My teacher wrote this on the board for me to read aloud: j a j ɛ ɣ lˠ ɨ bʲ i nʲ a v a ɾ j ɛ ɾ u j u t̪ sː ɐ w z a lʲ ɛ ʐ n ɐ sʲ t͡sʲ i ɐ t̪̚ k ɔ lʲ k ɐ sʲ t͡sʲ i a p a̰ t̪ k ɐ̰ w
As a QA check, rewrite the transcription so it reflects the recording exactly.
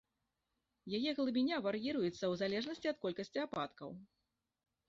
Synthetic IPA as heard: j a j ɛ ɣ lˠ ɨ bʲ i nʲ a v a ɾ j i ɾ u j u t̪ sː ɐ w z a lʲ ɛ ʐ n ɐ sʲ t͡sʲ i ɐ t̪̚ k ɔ lʲ k ɐ sʲ t͡sʲ i a p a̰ t̪ k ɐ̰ w